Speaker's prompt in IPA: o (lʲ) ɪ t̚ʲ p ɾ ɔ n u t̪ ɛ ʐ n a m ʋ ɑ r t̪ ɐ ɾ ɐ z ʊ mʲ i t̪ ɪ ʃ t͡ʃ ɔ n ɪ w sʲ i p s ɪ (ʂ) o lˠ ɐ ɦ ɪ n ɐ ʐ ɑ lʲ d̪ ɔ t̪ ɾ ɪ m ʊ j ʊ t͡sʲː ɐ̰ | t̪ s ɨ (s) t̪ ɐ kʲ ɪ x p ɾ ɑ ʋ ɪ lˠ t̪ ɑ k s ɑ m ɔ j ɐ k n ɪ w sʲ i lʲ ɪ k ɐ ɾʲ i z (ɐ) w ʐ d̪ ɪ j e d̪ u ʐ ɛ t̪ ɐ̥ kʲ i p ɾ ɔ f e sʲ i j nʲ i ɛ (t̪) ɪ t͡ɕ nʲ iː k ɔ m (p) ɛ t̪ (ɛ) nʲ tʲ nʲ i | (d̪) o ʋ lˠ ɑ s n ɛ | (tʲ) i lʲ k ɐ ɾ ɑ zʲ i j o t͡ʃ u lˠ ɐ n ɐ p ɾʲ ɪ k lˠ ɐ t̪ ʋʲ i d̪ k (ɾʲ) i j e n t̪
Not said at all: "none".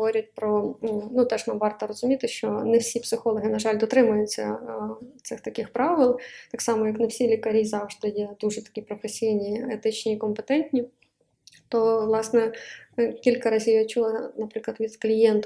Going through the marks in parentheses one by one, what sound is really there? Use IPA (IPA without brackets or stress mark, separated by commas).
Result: ɾʲ, x, x, ɑ, t̪, p, ɛ, t̪, kʲ, lʲ